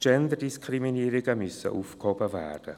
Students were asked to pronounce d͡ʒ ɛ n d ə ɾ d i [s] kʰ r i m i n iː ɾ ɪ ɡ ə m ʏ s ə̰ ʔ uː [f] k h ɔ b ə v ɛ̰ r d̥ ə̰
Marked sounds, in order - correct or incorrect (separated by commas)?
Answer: correct, correct